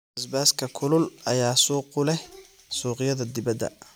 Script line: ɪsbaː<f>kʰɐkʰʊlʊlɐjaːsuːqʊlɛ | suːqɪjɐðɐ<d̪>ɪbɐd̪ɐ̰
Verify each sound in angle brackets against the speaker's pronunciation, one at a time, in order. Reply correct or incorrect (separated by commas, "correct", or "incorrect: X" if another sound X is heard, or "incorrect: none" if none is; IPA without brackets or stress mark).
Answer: incorrect: s, correct